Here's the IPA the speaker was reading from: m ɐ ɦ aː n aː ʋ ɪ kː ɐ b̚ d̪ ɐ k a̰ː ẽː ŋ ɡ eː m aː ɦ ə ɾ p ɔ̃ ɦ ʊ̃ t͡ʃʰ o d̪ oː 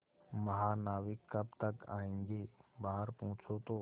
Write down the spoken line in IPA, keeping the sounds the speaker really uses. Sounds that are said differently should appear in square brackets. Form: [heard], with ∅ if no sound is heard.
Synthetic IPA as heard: m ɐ ɦ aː n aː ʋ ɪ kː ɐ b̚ [t̪] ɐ k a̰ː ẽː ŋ ɡ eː [b] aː ɦ ə ɾ p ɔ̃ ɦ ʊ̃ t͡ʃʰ o [t̪] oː